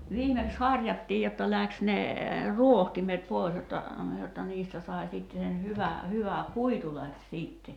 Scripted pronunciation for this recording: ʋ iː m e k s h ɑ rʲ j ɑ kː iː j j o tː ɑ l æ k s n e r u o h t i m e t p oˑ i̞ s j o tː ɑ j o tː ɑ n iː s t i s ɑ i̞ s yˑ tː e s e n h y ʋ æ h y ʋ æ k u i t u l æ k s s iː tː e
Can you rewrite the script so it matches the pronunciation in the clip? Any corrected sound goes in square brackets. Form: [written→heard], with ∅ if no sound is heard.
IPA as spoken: ʋ iː m e k s h ɑ rʲ j ɑ [kː→tː] iː j j o tː ɑ l æ k s n e r u o h t i m e t p oˑ i̞ s j o tː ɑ j o tː ɑ n iː s t [i→æ] s ɑ i̞ s [yˑ→iˑ] tː e s e n h y ʋ æ h y ʋ æ k u i t u l æ k s s iː tː e